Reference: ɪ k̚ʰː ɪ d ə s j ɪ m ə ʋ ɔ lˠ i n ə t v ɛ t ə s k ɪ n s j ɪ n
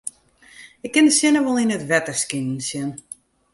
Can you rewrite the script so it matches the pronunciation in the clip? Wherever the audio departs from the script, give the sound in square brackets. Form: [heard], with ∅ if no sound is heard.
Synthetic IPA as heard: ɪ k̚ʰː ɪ [n] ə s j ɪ [n] ə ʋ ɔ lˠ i n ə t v ɛ t ə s k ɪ n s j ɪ n

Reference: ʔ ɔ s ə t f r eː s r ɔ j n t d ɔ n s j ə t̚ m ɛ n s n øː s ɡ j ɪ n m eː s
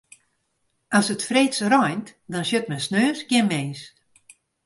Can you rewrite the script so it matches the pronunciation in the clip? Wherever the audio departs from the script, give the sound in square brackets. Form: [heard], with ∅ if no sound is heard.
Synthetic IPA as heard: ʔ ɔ s ə t f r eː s r ɔ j n t d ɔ n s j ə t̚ m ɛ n s n øː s ɡ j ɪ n m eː s

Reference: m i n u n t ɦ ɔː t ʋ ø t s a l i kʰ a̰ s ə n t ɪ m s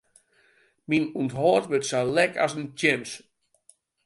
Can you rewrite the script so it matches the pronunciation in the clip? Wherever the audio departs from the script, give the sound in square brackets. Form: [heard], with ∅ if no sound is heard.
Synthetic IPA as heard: m i n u n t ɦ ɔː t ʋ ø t s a l [ɛ] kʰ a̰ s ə n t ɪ m s

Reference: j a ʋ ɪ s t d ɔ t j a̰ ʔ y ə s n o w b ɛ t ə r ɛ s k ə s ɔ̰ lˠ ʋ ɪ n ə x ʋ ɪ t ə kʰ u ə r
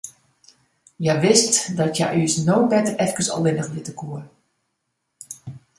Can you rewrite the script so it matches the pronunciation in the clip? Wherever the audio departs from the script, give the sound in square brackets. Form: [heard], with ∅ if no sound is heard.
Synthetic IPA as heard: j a ʋ ɪ s t d ɔ t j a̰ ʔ y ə s n o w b ɛ t ə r ɛ [f] k ə s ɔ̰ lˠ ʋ ɪ n ə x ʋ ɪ t ə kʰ u ə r

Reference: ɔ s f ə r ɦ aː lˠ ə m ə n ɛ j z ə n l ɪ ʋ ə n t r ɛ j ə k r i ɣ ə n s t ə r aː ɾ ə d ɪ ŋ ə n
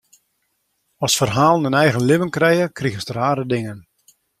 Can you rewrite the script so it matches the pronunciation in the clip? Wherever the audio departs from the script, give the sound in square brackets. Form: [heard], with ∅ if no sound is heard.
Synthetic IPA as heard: ɔ s f ə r ɦ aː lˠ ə [n] ə n ɛ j [ɣ] ə n l ɪ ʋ ə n [k] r ɛ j ə k r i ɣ ə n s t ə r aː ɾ ə d ɪ ŋ ə n

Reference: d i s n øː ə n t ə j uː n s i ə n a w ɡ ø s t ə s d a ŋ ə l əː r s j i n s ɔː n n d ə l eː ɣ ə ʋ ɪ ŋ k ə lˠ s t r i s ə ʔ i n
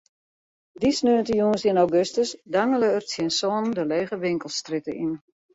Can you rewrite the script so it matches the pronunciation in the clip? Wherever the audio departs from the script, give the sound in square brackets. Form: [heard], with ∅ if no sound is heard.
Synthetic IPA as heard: d i s n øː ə n t ə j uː n s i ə n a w ɡ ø s t ə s d a ŋ ə l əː r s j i n s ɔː n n d ə l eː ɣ ə ʋ ɪ ŋ k ə lˠ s t r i [t] ə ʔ i n

